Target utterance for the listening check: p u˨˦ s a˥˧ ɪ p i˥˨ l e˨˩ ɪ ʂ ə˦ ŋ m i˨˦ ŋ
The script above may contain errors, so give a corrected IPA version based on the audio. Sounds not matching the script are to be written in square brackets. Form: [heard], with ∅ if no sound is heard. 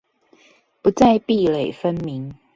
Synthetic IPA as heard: p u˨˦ [t͡s] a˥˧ ɪ p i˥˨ l e˨˩ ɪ [f] ə˦ [n] m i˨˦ ŋ